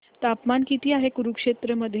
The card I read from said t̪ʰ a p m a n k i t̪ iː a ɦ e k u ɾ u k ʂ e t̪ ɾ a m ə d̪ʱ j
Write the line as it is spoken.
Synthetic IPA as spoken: t̪ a p m a n k i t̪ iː a ɦ e k u ɾ u k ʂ e t̪ ɾ ə m ə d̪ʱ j